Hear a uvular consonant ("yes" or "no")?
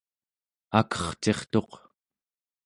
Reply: yes